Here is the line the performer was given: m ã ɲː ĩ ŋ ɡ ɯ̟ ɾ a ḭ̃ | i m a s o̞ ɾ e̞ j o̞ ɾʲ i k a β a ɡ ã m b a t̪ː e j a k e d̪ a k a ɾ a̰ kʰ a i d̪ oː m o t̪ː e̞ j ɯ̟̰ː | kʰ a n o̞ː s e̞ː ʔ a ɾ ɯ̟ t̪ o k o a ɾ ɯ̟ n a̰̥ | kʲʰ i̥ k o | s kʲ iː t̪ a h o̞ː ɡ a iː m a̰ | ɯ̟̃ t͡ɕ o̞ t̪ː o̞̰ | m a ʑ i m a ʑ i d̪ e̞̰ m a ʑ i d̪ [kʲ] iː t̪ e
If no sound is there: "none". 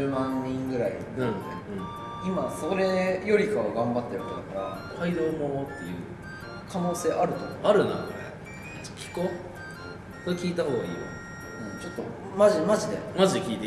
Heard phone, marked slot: kʲ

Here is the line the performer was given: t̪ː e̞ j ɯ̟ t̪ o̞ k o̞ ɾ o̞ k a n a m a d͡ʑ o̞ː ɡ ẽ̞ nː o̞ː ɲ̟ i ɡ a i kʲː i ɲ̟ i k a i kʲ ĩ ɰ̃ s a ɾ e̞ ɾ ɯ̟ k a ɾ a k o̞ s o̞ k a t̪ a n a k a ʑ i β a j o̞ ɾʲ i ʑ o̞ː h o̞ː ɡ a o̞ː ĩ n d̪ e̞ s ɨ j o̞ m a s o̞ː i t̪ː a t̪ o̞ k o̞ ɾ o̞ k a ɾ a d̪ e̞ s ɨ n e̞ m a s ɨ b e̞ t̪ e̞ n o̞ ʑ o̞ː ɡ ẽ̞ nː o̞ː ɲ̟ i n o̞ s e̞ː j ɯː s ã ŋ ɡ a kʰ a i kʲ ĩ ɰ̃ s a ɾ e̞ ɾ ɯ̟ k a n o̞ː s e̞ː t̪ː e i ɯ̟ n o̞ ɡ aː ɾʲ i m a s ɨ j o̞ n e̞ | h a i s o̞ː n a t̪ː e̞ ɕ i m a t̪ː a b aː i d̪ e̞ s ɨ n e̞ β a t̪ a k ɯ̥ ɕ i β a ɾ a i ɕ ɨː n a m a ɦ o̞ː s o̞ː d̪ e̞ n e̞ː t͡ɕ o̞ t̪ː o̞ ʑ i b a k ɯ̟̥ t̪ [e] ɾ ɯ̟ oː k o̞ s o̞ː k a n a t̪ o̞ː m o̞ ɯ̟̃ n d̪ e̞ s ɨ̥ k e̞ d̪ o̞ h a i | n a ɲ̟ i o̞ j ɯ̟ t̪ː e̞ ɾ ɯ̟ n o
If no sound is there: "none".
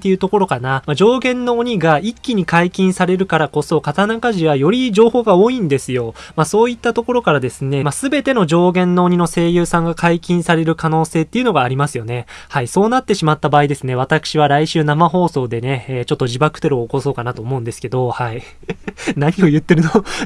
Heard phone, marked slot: e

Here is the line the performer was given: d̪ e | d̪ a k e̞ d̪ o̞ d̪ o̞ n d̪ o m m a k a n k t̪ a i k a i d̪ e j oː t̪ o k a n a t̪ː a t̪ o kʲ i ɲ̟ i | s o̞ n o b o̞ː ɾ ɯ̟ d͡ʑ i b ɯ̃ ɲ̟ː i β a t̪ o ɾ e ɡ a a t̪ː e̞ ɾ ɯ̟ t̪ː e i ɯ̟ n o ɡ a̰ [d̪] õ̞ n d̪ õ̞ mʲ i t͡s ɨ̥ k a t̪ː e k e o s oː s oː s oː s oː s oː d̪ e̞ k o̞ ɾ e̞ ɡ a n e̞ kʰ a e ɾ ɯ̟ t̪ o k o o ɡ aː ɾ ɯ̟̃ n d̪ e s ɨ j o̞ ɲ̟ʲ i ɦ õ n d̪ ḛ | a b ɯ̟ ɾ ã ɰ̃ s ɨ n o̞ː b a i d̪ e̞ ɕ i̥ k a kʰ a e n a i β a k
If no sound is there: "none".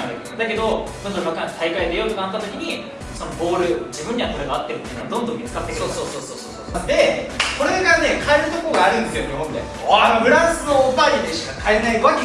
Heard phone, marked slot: d̪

